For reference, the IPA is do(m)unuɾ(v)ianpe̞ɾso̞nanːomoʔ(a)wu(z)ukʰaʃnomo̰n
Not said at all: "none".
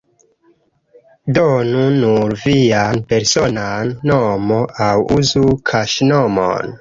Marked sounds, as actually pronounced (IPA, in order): n, v, a, z

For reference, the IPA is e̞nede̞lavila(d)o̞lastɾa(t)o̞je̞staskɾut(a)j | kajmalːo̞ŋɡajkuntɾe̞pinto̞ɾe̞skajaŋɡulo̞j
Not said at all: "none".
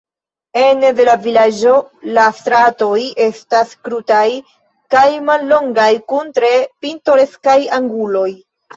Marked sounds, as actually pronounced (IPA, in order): d͡ʒ, t, a

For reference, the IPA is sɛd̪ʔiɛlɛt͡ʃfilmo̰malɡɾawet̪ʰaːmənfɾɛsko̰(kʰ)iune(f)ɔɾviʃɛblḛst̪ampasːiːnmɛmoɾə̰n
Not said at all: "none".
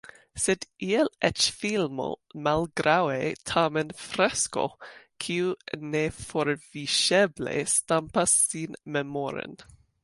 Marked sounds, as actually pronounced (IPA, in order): kʰ, f

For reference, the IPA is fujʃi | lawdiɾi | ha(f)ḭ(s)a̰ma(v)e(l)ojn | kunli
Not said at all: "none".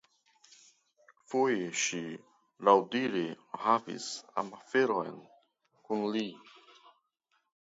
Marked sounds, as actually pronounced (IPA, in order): v, s, f, ɾ

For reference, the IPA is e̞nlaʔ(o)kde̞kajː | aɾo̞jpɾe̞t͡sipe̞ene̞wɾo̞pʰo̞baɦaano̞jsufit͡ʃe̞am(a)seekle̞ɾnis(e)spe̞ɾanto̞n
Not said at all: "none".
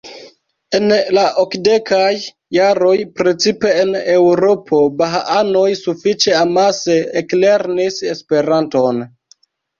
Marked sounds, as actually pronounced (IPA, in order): o, a, e

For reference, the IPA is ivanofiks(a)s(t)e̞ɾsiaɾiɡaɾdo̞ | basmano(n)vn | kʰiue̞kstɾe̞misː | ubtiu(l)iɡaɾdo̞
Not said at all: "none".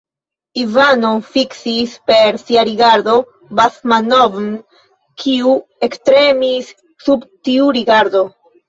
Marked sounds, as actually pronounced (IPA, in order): i, p, none, ɾ

